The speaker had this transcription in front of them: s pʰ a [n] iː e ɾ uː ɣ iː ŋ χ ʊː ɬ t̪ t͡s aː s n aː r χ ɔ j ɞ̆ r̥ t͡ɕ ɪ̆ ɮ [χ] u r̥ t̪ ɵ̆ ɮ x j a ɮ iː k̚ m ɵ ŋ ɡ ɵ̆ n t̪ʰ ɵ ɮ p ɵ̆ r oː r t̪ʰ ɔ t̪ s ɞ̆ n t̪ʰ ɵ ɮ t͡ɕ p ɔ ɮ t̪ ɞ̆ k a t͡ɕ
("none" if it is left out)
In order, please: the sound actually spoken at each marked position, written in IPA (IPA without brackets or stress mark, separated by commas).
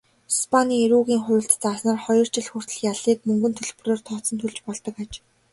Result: n, x